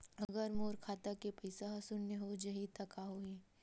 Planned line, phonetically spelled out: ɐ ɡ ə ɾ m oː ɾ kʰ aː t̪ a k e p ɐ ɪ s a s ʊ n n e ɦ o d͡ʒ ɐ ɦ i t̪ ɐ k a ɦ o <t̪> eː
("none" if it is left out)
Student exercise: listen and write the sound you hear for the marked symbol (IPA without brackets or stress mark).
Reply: none